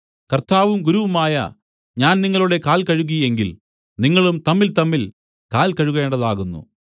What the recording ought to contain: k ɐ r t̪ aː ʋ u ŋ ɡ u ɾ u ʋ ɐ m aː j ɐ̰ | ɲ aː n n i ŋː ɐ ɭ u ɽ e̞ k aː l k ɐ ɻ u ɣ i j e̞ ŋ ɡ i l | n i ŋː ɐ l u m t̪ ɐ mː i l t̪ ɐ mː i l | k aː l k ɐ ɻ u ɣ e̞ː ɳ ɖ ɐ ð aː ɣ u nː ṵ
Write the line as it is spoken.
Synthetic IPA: k ɐ r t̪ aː ʋ u m ɡ u ɾ u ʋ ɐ m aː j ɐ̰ | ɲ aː n n i ŋː ɐ ɭ u ɽ e̞ k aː l k ɐ ɻ u ɣ i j e̞ ŋ ɡ i l | n i ŋː ɐ ɭ u m t̪ ɐ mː i l t̪ ɐ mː i l | k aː l k ɐ ɻ u ɣ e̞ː ɳ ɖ ɐ ð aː ɣ u nː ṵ